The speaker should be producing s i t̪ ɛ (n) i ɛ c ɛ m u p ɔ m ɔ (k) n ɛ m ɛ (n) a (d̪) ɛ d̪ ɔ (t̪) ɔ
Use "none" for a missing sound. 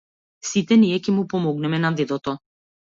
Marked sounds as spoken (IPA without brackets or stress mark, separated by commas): n, ɡ, n, d̪, t̪